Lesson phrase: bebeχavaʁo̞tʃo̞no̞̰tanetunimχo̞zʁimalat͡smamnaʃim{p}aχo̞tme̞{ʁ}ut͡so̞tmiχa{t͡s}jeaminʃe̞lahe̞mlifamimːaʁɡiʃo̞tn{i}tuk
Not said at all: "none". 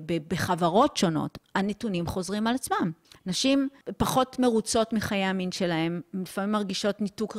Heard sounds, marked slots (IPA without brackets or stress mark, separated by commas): p, ʁ, none, i